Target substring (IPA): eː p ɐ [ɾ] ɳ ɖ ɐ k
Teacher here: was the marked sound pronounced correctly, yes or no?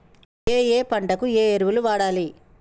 no